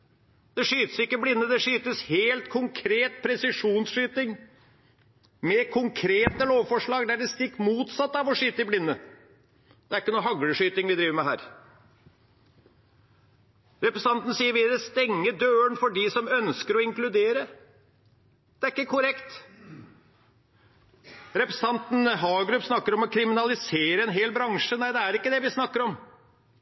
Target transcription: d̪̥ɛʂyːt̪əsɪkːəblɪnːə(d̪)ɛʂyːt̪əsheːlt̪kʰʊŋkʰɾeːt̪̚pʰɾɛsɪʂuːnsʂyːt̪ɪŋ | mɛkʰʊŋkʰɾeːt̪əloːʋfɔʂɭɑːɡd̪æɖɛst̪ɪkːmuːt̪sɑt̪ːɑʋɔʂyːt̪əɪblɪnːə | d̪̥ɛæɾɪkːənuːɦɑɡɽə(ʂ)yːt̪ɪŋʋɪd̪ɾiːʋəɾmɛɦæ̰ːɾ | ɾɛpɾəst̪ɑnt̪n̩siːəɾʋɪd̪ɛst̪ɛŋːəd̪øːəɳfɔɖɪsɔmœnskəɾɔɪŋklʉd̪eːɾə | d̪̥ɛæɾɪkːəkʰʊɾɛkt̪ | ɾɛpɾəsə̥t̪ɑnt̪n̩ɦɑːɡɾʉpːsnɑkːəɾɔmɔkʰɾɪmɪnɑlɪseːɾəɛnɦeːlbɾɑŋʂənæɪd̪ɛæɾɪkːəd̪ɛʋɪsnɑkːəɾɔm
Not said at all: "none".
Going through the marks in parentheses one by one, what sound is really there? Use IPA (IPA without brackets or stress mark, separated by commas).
d̪, ʂ